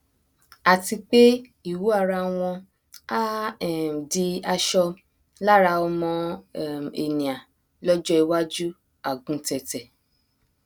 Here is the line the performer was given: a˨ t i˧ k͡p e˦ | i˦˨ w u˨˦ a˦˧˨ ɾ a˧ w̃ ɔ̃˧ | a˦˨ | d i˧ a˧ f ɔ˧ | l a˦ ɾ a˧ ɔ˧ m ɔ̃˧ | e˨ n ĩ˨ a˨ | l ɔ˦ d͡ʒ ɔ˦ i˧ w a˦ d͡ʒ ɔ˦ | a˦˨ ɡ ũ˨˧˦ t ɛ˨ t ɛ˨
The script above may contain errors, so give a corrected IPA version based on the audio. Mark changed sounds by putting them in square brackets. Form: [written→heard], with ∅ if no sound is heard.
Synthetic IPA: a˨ t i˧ k͡p e˦ | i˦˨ w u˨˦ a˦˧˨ ɾ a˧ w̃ ɔ̃˧ | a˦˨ | d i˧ a˧ [f→ʃ] ɔ˧ | l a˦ ɾ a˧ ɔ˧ m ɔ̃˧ | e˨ n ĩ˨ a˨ | l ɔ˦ d͡ʒ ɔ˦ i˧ w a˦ d͡ʒ [ɔ˦→u˦] | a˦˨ ɡ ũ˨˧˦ t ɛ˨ t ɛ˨

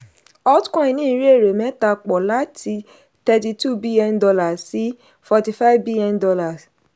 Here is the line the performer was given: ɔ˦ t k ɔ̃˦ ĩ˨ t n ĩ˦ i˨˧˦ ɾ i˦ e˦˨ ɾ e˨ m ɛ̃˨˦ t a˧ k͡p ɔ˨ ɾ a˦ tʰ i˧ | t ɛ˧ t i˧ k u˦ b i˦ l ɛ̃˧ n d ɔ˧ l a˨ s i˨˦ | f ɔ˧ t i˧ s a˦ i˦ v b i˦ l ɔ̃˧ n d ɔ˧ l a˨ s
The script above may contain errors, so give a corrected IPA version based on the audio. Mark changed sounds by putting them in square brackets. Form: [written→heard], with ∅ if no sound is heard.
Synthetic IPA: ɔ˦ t k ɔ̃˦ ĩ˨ [t→∅] n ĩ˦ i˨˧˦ ɾ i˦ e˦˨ ɾ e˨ m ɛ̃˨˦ t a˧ k͡p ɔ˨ [ɾ→l] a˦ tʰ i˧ | t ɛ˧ t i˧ [k→t] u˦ b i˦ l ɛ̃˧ n d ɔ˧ l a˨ s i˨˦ | f ɔ˧ t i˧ [s→f] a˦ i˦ v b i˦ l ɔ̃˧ n d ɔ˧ l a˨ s

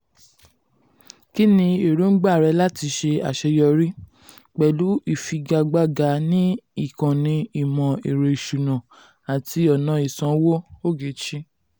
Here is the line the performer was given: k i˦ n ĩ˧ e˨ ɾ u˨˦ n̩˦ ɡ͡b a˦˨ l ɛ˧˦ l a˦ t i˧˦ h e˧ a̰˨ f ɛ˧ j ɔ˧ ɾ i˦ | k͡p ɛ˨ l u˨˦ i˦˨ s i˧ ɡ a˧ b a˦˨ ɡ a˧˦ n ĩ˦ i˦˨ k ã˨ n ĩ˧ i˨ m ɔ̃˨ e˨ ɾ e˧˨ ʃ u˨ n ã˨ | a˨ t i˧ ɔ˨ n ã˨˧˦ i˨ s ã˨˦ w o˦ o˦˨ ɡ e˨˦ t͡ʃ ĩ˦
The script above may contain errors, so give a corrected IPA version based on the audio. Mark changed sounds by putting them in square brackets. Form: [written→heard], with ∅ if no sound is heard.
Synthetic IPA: k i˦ n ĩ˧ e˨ ɾ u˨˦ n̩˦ ɡ͡b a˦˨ [l→ɾ] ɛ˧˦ l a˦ t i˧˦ [h→ʃ] e˧ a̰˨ [f→ʃ] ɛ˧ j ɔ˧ ɾ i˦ | k͡p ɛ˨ l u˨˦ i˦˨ [s→f] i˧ ɡ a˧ [b→ɡ͡b] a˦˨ ɡ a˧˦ n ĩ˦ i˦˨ k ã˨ n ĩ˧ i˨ m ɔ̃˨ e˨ ɾ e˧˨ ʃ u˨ n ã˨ | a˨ t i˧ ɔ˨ n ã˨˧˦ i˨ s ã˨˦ w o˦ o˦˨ ɡ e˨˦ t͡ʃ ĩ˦

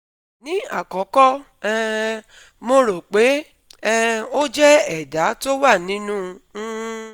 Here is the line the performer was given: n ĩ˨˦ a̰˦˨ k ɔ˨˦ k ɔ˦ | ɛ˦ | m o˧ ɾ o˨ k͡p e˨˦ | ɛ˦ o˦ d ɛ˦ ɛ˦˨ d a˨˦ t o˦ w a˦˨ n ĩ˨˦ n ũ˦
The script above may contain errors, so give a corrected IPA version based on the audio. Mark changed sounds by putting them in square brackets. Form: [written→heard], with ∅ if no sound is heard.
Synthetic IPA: n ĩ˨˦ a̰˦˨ k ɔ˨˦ k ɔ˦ | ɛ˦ | m o˧ ɾ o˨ k͡p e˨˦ | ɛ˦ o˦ [d→d͡ʒ] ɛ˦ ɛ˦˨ d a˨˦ t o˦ w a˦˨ n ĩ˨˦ n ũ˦

